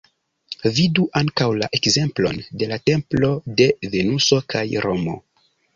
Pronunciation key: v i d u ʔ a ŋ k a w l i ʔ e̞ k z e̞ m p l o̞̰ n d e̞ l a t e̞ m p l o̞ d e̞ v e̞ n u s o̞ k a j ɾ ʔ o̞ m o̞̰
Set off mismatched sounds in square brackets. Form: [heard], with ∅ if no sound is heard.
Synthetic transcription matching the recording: v i d u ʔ a ŋ k a w l [a] ʔ e̞ k z e̞ m p l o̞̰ n d e̞ l a t e̞ m p l o̞ d e̞ v e̞ n u s o̞ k a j ɾ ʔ o̞ m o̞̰